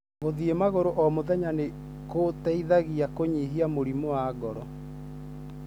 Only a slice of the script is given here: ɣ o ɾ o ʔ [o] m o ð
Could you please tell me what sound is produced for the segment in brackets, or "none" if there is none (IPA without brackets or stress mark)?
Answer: ɔ